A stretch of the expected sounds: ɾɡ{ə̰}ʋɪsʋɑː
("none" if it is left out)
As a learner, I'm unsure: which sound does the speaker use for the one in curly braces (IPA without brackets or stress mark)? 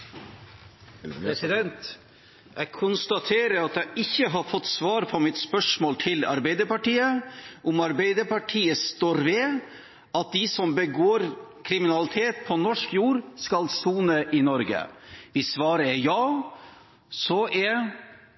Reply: ə̰